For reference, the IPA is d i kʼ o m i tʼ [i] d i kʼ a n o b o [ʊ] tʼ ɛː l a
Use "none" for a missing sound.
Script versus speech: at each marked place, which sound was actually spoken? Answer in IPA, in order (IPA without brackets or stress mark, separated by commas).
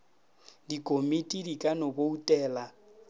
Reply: i, u